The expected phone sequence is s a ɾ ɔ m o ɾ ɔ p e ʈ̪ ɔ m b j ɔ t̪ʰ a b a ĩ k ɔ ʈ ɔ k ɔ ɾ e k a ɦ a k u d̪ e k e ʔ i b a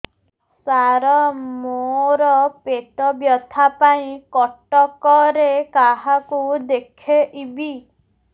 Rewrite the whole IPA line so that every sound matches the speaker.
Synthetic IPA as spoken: s a ɾ ɔ m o ɾ ɔ p e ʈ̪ ɔ b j ɔ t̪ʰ a p a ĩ k ɔ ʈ ɔ k ɔ ɾ e k a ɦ a k u d̪ e kʰ e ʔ i b i